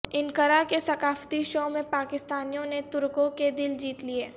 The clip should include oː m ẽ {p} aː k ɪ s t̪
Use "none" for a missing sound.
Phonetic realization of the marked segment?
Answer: p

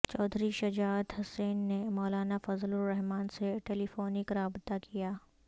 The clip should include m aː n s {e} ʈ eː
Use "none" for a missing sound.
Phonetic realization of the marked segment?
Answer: e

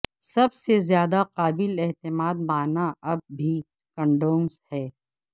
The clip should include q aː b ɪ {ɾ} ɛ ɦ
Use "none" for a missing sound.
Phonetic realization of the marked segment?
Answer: l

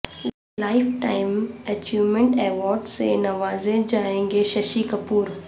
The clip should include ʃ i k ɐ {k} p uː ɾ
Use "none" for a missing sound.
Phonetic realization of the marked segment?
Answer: none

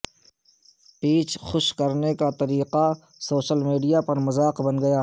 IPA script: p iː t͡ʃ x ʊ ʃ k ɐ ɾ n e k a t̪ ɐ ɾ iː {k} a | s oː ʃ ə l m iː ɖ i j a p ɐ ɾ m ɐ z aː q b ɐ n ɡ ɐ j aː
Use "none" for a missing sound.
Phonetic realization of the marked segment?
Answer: q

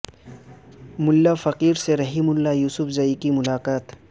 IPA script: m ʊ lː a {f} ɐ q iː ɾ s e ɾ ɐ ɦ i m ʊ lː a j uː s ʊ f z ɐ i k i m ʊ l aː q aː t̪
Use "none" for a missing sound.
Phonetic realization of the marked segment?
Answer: f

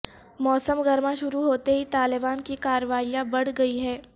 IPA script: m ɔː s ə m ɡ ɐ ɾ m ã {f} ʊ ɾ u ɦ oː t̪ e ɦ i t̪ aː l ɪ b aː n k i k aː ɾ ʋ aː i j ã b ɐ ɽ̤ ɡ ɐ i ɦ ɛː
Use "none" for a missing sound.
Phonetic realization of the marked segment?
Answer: ʃ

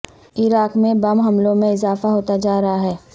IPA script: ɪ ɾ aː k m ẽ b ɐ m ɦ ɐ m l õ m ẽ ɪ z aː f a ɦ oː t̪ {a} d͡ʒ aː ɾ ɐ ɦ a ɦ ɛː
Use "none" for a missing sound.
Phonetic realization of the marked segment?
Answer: a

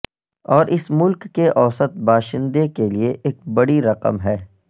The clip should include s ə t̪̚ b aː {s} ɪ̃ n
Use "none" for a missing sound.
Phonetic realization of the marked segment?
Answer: ʃ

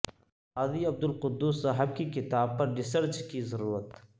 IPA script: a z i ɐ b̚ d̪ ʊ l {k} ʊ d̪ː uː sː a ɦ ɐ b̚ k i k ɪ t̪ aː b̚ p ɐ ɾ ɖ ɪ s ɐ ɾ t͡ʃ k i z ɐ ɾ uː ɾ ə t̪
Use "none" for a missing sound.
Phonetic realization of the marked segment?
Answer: q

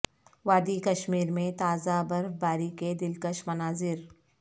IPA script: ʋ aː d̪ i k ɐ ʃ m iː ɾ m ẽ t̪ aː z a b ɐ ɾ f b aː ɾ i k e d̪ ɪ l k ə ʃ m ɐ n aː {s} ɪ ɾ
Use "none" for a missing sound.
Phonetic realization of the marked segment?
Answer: z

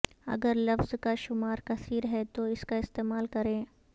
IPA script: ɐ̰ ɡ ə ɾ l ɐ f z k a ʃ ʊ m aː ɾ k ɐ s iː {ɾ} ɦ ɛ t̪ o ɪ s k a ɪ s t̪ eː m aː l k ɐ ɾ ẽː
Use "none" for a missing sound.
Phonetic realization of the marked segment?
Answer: ɾ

